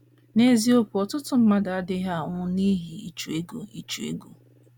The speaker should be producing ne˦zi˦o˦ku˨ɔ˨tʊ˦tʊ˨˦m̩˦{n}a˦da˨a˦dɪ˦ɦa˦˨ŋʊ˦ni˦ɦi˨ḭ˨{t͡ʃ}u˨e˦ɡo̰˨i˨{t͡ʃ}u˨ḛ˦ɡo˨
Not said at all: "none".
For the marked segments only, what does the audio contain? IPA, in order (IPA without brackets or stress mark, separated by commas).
m, t͡ʃ, t͡ʃ